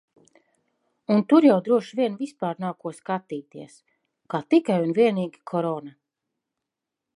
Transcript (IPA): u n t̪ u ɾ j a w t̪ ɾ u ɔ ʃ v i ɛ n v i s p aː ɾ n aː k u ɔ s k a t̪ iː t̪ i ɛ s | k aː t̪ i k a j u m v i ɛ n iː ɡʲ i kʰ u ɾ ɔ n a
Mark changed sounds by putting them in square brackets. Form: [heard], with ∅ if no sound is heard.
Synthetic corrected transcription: u n t̪ u ɾ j a w [d̪] ɾ u ɔ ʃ v i ɛ n v i s p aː ɾ n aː k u ɔ s k a t̪ iː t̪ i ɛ s | k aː t̪ i k a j u [n] v i ɛ n iː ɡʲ i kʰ [ɔ] ɾ ɔ n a